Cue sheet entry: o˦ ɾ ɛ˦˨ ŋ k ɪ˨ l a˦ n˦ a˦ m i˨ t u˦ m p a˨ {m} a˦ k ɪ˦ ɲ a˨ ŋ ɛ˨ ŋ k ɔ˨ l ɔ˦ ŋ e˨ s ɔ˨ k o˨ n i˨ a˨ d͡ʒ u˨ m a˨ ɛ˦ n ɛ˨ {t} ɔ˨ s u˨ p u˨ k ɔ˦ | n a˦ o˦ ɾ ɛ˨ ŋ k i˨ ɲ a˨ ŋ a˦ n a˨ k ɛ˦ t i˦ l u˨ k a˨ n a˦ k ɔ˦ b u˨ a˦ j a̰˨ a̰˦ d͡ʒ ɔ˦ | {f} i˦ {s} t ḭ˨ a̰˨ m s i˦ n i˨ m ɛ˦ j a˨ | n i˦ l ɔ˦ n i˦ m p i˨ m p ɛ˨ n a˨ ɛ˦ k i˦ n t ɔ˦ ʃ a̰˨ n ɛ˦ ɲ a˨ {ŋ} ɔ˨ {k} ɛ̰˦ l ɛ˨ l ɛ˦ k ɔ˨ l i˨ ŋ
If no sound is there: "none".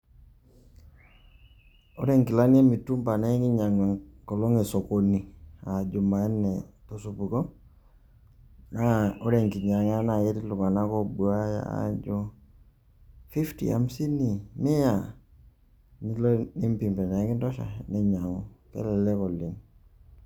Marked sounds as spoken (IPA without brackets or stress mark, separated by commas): n, t, f, f, ŋ, k